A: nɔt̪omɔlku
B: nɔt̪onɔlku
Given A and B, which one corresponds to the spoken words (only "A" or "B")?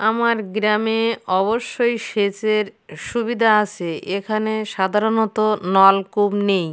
B